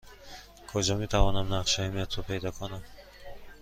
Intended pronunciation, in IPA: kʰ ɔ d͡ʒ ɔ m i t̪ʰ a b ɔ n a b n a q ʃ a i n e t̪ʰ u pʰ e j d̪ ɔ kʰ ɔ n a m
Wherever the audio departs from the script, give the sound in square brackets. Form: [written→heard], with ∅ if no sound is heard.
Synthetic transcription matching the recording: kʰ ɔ d͡ʒ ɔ m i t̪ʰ a [b→v] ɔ n a [b→m] n a q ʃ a i [n→m] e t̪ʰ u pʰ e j d̪ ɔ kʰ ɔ n a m